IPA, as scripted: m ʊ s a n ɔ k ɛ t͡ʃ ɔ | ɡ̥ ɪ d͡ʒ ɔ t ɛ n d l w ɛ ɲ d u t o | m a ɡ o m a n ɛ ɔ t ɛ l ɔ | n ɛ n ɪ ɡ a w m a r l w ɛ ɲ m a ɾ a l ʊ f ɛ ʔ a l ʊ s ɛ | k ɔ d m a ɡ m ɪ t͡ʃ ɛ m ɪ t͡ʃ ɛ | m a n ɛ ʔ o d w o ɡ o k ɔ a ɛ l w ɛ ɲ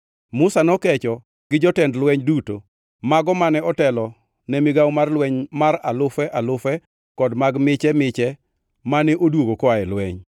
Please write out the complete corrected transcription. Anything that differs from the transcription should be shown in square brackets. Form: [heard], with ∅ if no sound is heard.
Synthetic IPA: m ʊ s a n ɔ k ɛ t͡ʃ ɔ | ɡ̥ ɪ d͡ʒ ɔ t ɛ n d l w ɛ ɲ d u t o | m a ɡ [ɔ] m a n ɛ ɔ t ɛ l ɔ | n ɛ [m] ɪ ɡ a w m a r l w ɛ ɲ m a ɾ a l ʊ f ɛ ʔ a l ʊ [f] ɛ | k ɔ d m a ɡ m ɪ t͡ʃ ɛ m ɪ t͡ʃ ɛ | m a n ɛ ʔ o d w o ɡ o k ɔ a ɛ l w ɛ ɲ